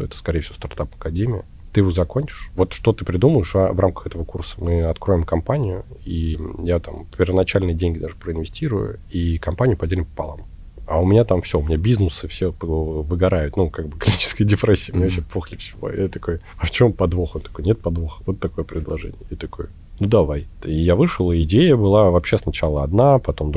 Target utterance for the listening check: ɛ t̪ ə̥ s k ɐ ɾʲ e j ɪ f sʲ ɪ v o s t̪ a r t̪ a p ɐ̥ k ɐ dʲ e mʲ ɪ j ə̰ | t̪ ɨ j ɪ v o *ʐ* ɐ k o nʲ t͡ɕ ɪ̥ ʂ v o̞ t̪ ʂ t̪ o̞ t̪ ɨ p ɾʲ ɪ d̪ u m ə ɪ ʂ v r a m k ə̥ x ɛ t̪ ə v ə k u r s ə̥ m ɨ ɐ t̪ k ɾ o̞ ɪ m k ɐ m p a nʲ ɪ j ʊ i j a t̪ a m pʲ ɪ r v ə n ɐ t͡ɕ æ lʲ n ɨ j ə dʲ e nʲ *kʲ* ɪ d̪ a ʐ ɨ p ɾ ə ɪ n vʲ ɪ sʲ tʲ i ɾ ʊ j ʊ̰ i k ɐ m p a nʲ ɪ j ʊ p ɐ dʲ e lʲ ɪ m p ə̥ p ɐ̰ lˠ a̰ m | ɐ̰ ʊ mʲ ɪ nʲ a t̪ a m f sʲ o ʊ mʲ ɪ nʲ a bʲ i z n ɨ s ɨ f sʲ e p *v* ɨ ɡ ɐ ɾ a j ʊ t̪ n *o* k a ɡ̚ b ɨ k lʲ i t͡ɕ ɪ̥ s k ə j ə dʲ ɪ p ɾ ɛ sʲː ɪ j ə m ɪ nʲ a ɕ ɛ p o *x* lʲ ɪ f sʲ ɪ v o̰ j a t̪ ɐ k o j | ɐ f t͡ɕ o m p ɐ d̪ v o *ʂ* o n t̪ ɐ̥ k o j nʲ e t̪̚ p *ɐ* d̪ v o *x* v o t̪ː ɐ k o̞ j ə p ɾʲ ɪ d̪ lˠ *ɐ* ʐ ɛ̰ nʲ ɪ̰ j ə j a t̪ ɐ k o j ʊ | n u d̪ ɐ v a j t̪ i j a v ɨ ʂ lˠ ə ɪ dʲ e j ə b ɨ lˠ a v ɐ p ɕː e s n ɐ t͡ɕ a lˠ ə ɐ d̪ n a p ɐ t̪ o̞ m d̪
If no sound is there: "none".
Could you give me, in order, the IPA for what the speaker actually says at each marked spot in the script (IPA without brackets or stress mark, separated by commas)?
z, ɡʲ, v, u, x, x, ɐ, x, ɐ